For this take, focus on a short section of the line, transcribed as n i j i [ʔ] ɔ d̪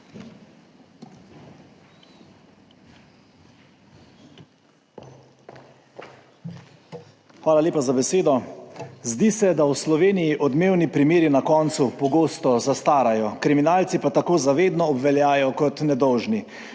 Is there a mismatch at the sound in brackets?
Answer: no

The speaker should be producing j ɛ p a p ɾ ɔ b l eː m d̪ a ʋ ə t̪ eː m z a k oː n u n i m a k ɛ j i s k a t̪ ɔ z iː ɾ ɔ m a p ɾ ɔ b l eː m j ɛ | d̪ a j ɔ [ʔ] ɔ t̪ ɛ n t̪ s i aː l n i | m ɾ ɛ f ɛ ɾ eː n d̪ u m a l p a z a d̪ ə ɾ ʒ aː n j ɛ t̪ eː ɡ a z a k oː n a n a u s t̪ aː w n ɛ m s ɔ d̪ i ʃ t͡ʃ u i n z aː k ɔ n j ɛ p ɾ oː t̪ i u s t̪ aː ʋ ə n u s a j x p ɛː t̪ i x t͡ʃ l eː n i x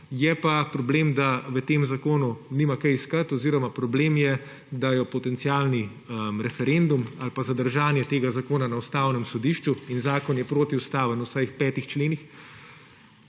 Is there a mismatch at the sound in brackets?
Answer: yes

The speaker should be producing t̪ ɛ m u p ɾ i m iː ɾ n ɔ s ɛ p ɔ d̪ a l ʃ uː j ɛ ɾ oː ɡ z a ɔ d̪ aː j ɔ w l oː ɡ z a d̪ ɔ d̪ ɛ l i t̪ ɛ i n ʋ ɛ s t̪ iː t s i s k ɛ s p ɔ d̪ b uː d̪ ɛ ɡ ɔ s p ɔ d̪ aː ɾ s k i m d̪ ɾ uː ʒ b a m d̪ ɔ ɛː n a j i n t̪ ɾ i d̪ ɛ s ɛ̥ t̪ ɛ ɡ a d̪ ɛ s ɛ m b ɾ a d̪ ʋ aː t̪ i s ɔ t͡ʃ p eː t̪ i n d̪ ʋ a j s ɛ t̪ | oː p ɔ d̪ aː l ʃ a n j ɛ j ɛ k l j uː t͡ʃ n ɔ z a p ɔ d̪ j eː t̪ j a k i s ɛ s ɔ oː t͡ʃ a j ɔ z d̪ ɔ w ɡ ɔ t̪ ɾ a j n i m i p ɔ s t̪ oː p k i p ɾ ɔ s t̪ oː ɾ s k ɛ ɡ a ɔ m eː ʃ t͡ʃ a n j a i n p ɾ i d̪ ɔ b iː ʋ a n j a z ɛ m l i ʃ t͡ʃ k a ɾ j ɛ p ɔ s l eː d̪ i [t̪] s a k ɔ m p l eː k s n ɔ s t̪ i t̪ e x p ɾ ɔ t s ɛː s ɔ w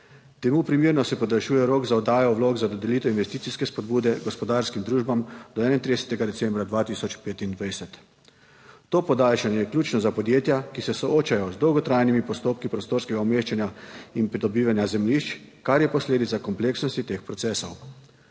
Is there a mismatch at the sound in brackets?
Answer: no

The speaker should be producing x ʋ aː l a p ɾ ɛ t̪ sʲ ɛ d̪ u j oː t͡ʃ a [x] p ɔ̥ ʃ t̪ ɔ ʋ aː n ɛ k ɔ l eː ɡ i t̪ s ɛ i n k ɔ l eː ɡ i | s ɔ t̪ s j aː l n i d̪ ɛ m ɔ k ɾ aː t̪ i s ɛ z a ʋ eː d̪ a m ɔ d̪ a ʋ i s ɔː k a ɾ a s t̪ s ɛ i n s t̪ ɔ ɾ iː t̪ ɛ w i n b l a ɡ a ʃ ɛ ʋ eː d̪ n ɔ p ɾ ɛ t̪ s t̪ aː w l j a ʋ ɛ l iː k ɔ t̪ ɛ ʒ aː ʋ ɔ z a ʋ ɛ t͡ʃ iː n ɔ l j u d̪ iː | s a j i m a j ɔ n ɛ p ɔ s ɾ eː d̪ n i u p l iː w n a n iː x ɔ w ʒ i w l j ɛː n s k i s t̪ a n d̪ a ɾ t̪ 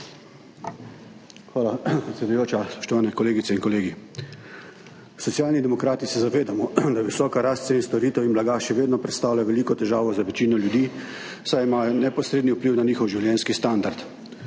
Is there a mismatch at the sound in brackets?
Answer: yes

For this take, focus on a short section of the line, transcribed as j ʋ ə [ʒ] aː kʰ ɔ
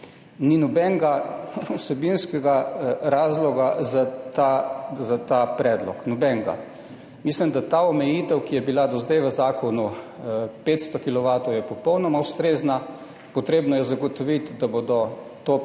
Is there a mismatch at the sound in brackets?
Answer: yes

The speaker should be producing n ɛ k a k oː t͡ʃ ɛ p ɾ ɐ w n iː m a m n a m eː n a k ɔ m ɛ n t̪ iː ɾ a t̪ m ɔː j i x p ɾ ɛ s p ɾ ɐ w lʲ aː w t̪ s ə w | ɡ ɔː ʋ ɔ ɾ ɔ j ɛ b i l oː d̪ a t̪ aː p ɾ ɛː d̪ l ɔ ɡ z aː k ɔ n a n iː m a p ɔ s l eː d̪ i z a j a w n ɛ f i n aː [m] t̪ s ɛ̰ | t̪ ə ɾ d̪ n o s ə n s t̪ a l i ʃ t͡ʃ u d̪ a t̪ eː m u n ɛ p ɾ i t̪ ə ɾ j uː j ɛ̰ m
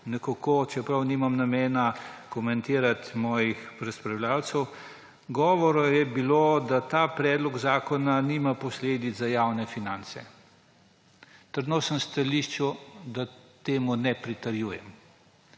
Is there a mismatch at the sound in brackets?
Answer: yes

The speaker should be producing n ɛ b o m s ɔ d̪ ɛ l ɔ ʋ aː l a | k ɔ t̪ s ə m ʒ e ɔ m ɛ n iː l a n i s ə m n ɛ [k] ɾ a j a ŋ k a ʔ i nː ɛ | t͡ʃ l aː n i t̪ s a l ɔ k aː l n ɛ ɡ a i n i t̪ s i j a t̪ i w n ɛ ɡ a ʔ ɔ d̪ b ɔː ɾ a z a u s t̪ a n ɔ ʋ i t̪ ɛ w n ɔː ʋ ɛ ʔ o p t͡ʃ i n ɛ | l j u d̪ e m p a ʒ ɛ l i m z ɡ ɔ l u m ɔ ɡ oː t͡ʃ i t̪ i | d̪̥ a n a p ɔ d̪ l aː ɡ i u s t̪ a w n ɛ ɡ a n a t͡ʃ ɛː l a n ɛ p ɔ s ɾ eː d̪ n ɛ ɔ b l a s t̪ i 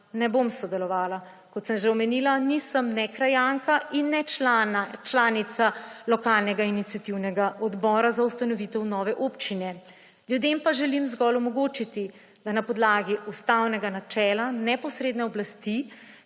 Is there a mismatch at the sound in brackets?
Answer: no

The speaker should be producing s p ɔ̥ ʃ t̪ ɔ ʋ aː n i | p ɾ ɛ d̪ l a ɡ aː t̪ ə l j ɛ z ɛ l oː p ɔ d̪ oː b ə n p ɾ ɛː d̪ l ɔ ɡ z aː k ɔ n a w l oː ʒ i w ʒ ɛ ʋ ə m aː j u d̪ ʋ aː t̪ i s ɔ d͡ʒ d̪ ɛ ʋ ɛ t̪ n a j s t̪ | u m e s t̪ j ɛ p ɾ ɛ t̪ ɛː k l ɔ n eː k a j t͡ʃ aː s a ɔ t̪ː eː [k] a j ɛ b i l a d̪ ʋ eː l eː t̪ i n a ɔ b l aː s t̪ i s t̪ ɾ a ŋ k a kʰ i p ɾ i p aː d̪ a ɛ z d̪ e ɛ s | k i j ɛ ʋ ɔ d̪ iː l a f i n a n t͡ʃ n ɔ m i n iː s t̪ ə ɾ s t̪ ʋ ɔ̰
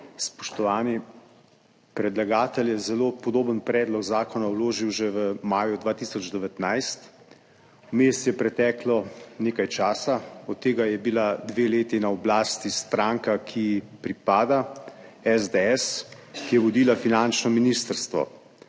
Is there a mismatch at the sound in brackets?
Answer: yes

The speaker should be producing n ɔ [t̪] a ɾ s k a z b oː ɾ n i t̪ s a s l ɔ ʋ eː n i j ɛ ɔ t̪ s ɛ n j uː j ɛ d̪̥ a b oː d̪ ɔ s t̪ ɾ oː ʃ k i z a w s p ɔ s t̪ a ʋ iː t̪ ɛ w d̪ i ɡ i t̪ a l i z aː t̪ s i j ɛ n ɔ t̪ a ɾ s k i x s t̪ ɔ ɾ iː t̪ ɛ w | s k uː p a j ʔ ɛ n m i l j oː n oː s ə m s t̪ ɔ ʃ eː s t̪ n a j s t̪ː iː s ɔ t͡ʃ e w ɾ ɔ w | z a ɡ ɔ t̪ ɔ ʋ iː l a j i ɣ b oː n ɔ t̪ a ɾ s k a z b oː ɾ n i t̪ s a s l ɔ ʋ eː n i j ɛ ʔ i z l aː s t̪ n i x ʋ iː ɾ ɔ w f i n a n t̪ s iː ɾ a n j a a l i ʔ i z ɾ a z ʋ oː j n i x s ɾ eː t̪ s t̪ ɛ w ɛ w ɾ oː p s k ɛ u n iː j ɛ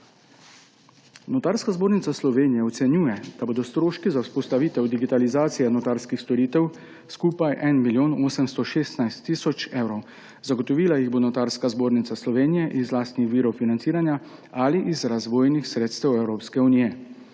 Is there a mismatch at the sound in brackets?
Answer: no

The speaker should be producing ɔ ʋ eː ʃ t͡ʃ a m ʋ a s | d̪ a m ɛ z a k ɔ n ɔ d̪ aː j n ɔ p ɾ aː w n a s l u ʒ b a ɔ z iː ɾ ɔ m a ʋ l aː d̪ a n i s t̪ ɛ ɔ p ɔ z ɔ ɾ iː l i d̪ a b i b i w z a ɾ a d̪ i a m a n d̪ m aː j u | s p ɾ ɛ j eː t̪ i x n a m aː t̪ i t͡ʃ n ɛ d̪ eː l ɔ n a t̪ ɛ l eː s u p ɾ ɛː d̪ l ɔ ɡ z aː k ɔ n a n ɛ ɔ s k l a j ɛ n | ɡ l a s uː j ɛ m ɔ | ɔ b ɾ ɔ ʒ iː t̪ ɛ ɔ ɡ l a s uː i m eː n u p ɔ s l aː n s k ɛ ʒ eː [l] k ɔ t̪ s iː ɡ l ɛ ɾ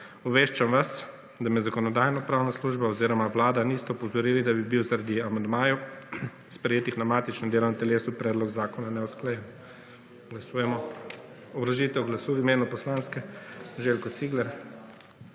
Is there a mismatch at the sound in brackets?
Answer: no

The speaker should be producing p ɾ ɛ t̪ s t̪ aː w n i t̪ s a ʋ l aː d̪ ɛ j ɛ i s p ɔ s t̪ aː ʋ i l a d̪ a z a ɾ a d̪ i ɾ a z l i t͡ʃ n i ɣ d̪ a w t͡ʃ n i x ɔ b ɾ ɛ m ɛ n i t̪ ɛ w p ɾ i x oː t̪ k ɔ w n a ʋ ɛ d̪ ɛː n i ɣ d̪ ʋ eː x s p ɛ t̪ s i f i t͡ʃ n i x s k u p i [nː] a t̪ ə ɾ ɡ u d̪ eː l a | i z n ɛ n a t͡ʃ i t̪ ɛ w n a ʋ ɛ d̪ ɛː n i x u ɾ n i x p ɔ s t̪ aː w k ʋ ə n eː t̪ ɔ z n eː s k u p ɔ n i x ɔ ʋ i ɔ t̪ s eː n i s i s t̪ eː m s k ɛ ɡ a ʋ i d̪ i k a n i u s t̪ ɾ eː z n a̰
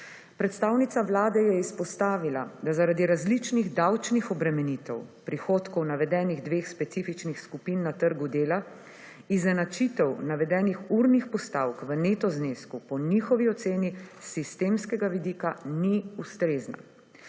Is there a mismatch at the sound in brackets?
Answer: no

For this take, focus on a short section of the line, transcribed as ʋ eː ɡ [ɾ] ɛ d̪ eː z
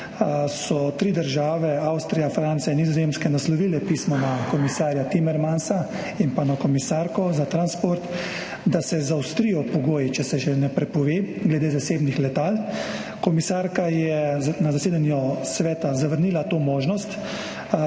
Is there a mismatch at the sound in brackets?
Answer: yes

